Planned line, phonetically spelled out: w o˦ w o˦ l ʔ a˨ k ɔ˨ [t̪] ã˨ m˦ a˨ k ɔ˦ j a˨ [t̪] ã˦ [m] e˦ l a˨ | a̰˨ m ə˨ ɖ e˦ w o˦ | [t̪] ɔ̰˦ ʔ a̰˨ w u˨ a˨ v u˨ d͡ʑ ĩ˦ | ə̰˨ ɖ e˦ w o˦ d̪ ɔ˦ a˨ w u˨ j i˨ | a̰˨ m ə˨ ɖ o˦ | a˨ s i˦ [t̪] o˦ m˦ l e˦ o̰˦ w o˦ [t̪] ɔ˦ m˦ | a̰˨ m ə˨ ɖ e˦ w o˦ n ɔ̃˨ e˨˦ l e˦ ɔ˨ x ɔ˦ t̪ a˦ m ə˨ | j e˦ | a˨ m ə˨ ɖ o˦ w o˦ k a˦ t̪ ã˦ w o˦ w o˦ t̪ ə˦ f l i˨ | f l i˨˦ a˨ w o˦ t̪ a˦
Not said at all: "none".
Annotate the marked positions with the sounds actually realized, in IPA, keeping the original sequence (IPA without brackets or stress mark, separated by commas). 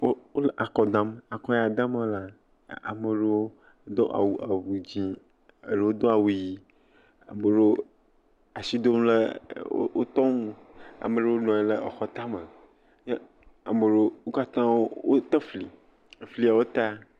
d̪, d̪, m, d̪, d̪, t̪